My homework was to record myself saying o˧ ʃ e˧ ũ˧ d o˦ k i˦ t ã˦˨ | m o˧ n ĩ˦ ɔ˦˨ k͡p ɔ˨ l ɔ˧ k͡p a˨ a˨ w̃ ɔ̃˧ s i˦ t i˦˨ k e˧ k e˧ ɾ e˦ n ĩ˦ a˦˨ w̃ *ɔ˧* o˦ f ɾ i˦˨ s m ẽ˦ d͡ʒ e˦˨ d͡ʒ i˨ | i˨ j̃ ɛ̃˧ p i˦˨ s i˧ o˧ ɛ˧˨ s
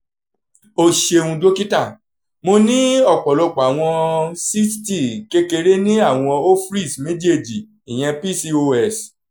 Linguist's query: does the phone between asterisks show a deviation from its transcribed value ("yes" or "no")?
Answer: yes